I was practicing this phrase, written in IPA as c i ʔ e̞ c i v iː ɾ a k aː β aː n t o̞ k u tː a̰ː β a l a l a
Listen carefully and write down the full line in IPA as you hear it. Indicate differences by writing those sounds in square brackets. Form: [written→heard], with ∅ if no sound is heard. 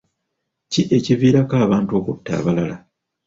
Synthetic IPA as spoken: c i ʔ e̞ c i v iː ɾ a k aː β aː n t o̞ k u tː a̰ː β a l a l a